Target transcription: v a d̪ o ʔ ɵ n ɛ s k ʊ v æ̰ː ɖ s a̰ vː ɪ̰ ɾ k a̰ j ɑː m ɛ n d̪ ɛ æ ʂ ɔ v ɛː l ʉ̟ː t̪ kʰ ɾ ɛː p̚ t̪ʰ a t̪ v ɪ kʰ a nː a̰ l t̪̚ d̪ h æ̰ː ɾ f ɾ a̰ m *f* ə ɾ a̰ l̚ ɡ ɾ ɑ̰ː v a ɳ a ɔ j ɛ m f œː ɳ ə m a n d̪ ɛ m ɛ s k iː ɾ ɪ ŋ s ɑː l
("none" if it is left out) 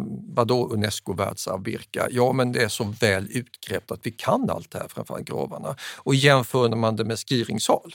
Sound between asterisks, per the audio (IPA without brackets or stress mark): f